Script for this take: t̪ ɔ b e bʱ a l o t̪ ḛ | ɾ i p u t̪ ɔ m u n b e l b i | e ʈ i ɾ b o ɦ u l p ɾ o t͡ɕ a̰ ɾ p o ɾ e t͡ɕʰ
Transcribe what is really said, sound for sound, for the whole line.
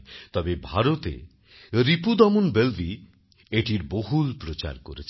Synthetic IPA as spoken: t̪ ɔ b e bʱ a ɾ o t̪ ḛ | ɾ i p u d̪ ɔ m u n b e l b i | e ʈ i ɾ b o ɦ u l p ɾ o t͡ɕ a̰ ɾ k o ɾ e t͡ɕʰ